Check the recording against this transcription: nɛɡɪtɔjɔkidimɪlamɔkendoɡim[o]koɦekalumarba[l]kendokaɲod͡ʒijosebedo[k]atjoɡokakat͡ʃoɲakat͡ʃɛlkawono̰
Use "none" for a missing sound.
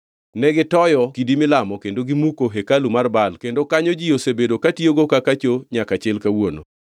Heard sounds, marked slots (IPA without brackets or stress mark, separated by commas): u, l, k